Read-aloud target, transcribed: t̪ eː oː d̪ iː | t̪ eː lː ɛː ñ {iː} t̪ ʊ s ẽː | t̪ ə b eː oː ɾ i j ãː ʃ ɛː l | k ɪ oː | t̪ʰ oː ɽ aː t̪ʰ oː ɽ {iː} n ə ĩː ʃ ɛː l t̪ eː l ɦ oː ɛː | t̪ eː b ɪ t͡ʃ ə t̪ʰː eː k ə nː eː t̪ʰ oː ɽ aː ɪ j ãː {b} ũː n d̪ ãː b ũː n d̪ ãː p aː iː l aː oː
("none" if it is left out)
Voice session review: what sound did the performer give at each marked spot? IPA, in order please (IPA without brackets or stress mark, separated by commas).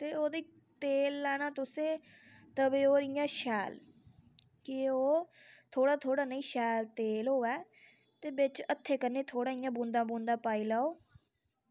aː, aː, b